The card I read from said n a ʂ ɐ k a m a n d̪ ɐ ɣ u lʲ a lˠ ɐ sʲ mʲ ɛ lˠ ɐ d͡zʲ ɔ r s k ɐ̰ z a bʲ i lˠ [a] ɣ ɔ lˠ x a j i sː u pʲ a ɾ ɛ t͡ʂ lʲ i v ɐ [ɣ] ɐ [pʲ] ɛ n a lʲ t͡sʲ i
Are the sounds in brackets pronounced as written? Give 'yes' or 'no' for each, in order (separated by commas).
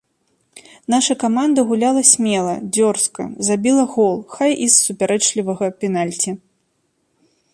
no, yes, yes